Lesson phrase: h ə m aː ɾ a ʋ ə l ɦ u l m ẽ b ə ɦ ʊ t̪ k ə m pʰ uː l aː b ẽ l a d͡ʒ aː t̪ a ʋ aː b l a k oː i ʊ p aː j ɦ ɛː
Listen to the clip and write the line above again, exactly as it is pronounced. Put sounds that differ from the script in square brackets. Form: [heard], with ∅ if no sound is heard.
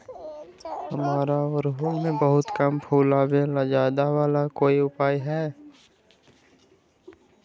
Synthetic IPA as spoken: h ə m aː ɾ a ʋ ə [ɾ] ɦ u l m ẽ b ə ɦ ʊ t̪ k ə m pʰ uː l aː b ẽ l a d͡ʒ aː [d̪] a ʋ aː [∅] l a k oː i ʊ p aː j ɦ ɛː